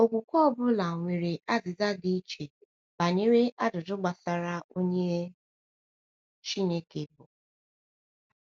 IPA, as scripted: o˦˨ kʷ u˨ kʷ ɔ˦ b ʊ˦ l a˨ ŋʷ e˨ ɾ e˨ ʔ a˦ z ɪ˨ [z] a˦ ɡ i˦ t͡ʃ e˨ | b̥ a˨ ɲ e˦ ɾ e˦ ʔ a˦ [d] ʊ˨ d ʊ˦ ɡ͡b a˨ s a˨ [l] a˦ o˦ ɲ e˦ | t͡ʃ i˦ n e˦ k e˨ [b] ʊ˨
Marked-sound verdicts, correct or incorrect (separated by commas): correct, correct, incorrect, correct